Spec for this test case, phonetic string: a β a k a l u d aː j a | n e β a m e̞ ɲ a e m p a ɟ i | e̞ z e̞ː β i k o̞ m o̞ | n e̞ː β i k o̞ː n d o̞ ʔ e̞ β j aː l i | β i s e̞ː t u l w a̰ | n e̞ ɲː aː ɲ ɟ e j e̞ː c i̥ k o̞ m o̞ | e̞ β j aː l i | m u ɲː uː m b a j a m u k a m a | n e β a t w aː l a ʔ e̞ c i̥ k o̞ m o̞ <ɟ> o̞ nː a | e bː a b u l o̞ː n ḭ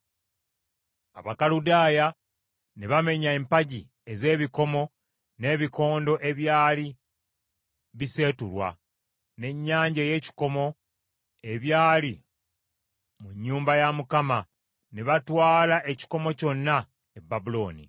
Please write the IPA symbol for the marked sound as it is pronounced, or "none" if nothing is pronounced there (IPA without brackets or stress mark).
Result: c